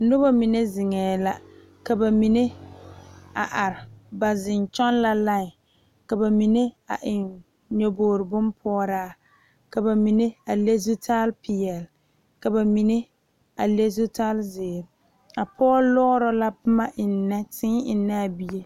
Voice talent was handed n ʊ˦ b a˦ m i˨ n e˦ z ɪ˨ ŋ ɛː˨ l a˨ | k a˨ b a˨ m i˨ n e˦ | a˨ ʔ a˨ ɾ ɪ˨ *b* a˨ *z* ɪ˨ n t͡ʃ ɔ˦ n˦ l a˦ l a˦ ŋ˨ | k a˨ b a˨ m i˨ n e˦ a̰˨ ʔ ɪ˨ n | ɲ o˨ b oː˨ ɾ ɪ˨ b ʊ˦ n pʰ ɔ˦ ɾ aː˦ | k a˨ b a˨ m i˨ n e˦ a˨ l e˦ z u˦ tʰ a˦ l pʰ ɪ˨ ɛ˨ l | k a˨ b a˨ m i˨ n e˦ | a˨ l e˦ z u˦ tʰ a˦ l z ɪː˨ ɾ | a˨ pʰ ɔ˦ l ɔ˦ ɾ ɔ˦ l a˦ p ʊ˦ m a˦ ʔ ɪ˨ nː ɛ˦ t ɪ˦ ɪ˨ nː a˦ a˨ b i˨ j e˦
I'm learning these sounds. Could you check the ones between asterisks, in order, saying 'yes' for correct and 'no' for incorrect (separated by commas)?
yes, yes